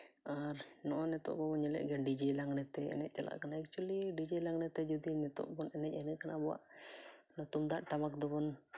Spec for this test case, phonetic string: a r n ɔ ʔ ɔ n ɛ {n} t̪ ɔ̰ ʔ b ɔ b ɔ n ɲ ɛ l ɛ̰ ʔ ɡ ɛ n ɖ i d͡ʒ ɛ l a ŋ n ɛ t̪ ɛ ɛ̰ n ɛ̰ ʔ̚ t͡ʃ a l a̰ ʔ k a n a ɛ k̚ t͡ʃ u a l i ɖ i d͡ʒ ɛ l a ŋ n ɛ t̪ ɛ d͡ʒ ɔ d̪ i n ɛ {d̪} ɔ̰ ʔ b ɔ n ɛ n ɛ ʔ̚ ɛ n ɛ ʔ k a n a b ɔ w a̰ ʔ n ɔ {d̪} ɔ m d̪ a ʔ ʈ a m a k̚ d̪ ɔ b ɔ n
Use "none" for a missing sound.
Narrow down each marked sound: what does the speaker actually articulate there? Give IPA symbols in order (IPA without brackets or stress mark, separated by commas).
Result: none, t̪, t̪